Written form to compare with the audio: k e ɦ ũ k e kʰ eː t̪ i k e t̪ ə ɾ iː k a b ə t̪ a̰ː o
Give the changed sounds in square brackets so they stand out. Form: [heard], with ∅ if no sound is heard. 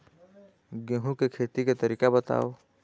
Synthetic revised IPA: [ɡ] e ɦ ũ k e kʰ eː t̪ i k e t̪ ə ɾ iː k a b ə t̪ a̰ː o